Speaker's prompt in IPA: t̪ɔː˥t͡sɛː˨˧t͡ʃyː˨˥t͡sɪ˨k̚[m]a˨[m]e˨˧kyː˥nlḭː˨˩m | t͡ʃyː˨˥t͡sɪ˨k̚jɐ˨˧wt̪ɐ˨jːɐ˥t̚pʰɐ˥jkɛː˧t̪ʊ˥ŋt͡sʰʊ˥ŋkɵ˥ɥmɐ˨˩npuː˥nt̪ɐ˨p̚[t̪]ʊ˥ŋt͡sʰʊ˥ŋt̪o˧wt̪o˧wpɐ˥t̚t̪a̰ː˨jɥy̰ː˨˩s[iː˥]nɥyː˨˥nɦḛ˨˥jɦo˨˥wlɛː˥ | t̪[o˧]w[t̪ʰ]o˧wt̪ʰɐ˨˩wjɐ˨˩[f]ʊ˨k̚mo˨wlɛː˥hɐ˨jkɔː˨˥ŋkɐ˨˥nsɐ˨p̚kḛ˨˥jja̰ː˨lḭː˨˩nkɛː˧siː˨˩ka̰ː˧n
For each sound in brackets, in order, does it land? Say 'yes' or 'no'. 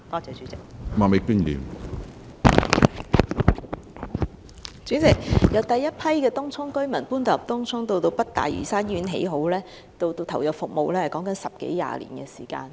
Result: yes, yes, yes, no, yes, no, yes

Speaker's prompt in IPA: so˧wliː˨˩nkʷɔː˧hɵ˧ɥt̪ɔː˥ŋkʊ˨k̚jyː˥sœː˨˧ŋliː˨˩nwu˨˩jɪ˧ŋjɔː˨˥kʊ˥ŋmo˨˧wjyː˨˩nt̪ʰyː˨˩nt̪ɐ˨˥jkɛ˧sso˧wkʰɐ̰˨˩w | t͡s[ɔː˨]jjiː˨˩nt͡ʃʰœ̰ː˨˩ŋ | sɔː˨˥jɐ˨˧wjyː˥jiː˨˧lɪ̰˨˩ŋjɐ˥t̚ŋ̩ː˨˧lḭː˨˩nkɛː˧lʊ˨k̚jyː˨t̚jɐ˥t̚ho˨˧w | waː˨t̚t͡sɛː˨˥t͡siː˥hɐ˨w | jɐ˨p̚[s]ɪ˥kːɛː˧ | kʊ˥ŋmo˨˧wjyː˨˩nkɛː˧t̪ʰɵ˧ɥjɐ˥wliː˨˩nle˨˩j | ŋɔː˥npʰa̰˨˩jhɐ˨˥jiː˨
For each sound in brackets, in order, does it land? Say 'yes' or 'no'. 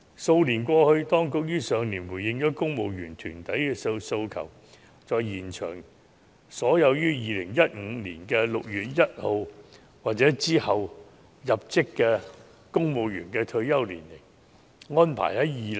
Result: yes, no

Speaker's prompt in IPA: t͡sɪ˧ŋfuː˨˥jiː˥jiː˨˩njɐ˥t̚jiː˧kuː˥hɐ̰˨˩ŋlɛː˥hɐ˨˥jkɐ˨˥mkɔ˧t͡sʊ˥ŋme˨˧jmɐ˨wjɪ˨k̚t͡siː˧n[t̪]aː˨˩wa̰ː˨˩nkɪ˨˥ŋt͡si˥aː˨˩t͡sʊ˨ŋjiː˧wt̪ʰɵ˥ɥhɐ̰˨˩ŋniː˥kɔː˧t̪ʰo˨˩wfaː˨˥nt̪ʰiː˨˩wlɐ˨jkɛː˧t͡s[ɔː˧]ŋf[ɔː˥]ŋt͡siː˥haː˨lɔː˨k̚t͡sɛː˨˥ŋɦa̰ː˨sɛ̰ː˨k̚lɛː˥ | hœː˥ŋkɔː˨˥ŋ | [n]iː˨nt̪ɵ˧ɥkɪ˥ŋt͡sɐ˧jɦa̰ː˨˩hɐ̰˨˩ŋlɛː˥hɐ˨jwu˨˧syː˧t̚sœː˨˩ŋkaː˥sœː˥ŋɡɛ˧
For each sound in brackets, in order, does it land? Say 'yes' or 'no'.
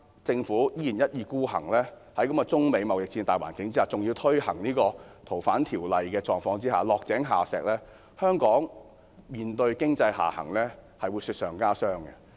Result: yes, yes, no, no

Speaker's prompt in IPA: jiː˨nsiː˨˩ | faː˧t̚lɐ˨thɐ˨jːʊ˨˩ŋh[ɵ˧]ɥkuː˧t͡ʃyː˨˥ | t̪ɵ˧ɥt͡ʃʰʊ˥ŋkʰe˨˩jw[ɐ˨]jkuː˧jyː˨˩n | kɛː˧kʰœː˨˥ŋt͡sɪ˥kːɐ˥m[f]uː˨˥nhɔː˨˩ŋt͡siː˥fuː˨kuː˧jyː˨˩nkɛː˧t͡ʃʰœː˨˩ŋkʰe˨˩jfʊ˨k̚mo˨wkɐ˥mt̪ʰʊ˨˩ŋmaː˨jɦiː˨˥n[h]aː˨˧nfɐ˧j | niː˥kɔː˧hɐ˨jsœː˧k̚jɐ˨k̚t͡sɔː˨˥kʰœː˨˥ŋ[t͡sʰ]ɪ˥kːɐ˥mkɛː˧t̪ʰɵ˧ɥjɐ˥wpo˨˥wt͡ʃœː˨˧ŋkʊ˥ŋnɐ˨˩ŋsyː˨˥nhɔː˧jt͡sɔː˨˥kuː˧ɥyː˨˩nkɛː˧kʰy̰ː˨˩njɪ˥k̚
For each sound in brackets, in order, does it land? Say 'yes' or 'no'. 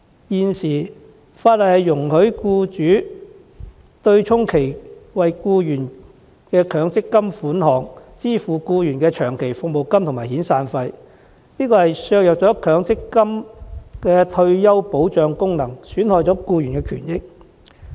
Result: no, yes, yes, no, no

